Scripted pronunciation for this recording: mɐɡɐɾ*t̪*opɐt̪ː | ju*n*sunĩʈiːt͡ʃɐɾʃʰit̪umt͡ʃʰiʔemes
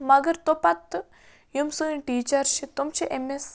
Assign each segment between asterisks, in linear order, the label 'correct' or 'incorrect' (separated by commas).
correct, incorrect